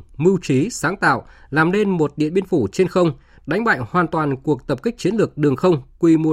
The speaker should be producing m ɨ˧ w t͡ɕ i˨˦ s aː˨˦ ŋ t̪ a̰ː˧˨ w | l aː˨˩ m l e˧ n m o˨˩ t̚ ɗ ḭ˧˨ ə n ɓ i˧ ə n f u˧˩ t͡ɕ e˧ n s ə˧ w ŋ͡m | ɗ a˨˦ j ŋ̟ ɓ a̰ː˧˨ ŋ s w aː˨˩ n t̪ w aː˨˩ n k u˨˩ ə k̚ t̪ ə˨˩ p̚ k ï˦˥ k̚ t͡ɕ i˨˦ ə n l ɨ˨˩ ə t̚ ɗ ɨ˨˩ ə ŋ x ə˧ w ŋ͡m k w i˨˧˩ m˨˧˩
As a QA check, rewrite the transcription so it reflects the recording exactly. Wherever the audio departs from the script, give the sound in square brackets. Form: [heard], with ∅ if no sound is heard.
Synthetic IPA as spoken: m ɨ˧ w t͡ɕ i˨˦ s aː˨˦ ŋ t̪ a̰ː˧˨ w | l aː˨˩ m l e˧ n m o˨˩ t̚ ɗ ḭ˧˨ ə n ɓ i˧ ə n f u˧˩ t͡ɕ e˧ n [x] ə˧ w ŋ͡m | ɗ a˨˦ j ŋ̟ ɓ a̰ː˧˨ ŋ [h] w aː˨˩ n t̪ w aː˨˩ n k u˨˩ ə k̚ t̪ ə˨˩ p̚ k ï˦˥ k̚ t͡ɕ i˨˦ ə n l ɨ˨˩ ə [k̚] ɗ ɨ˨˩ ə ŋ x ə˧ w ŋ͡m k w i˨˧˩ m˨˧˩